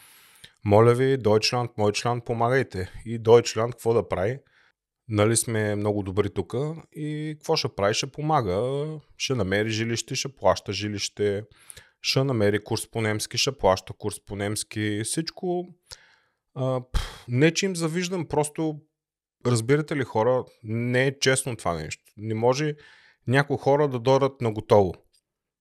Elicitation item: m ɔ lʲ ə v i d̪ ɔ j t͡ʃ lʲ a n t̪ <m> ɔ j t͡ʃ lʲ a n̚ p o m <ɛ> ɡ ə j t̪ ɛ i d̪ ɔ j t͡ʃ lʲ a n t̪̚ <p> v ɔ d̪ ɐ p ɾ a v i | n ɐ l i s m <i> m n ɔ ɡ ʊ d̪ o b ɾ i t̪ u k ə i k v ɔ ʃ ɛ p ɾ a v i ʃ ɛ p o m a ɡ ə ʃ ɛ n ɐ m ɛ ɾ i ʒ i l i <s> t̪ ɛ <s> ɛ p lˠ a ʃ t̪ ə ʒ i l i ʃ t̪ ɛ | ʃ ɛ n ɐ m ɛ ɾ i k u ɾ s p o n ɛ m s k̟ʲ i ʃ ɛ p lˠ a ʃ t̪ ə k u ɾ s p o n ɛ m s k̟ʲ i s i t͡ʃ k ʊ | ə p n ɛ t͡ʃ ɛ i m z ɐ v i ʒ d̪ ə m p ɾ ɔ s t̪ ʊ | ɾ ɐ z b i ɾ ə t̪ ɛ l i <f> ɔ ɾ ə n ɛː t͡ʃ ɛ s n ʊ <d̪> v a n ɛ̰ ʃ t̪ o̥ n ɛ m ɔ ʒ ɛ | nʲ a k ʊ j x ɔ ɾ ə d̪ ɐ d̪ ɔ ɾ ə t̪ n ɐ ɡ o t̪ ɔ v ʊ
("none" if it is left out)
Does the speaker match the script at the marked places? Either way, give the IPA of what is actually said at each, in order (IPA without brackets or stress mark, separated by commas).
m, a, k, ɛ, ʃ, ʃ, x, t̪